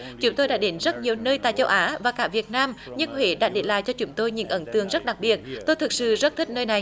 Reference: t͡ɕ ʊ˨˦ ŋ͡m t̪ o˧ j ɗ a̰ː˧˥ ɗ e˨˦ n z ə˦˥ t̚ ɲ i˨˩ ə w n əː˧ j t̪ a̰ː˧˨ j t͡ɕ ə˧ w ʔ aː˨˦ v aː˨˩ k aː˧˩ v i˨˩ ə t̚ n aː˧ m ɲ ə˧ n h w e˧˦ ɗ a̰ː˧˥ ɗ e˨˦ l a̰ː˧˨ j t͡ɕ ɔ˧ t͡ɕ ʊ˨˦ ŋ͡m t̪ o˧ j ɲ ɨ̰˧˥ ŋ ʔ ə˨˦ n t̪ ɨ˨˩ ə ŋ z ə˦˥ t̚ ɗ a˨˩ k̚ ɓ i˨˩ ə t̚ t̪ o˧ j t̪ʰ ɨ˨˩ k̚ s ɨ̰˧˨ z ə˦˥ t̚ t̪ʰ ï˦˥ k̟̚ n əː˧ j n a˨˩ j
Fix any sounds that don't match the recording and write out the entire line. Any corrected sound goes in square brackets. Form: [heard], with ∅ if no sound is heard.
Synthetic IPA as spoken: t͡ɕ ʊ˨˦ ŋ͡m t̪ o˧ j ɗ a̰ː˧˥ ɗ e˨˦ n z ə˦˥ t̚ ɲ i˨˩ ə w n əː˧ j t̪ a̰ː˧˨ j t͡ɕ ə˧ w ʔ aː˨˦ v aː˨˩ k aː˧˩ v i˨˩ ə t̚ n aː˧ m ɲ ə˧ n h w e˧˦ ɗ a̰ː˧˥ ɗ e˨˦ l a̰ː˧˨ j t͡ɕ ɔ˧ t͡ɕ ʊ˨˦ ŋ͡m t̪ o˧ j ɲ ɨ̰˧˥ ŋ ʔ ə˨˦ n t̪ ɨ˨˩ ə ŋ z ə˦˥ t̚ ɗ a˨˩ k̚ ɓ i˨˩ ə t̚ t̪ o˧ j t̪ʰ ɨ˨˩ k̚ s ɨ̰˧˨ z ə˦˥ t̚ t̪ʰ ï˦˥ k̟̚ n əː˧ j n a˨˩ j